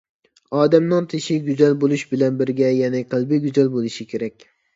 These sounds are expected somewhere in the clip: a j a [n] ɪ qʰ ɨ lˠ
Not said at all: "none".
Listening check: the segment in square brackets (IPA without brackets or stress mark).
n